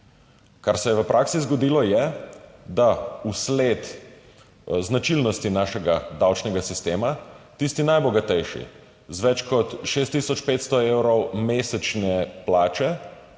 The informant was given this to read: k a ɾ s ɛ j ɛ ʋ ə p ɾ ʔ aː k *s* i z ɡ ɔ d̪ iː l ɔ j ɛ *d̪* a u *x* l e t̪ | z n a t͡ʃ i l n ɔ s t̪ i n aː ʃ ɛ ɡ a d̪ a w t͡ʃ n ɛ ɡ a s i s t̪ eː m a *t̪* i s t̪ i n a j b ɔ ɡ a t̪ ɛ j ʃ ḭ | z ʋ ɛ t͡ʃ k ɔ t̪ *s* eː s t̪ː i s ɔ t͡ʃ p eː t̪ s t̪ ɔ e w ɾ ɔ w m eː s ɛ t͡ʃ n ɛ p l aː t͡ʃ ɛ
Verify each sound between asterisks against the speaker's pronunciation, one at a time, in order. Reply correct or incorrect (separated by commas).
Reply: correct, correct, incorrect, correct, incorrect